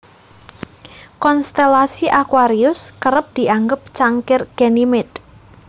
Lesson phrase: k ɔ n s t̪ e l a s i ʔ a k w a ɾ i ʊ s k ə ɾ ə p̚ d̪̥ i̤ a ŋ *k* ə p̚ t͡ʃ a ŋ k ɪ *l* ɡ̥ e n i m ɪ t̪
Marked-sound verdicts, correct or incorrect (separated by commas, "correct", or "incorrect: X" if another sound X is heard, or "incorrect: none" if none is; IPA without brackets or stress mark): incorrect: ɡ, incorrect: r